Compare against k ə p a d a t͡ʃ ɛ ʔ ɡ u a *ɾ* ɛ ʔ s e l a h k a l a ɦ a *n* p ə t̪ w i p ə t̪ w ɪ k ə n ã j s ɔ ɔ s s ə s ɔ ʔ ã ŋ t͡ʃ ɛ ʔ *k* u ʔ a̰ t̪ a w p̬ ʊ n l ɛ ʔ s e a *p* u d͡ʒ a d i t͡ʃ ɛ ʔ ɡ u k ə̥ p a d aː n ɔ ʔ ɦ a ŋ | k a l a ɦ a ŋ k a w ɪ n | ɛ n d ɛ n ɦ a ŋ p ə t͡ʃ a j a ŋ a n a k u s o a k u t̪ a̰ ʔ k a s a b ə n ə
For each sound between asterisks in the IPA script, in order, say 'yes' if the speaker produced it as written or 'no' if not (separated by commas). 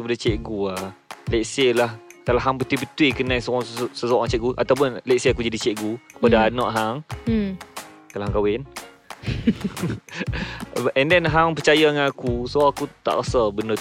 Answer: no, no, no, no